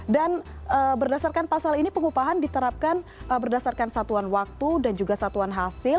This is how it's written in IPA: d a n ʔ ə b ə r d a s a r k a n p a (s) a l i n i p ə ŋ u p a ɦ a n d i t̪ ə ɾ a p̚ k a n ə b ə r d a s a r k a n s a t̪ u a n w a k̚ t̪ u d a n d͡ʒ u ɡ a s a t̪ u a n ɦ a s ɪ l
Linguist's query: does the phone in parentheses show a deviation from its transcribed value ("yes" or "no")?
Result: no